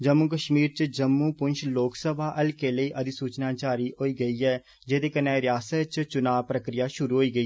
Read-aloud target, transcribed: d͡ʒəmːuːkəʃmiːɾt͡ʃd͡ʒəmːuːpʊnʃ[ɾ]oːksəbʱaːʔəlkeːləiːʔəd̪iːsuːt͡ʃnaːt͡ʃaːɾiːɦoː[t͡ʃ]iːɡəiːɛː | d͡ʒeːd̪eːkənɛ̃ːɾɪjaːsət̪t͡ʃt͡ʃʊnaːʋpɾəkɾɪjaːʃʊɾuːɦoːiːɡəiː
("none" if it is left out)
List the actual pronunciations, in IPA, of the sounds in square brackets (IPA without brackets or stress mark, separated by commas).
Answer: l, none